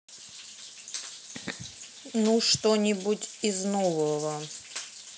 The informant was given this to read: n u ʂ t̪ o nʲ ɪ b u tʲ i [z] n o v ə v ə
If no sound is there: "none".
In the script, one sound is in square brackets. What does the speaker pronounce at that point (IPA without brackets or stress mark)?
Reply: z